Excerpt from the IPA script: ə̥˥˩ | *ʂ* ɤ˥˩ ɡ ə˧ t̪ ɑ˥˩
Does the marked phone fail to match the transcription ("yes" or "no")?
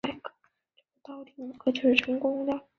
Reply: yes